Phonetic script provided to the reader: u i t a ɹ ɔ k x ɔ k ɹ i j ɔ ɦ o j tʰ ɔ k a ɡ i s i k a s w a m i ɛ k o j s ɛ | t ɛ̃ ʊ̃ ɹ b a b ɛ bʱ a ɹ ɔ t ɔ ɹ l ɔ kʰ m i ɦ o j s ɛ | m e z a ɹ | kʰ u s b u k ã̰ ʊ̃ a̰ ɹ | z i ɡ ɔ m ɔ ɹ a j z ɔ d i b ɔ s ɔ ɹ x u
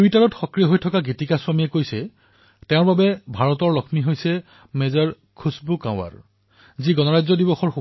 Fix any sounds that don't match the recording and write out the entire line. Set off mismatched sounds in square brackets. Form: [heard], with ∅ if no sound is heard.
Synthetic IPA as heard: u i t a ɹ ɔ [t] x ɔ k ɹ i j ɔ ɦ o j tʰ ɔ k a ɡ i [t] i k a s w a m i ɛ k o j s ɛ | t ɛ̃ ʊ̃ ɹ b a b ɛ bʱ a ɹ ɔ t ɔ ɹ l ɔ kʰ m i ɦ o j s ɛ | m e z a ɹ | kʰ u s b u k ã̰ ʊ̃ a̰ ɹ | z i ɡ ɔ [n] ɔ ɹ a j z ɔ d i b ɔ [x] ɔ ɹ x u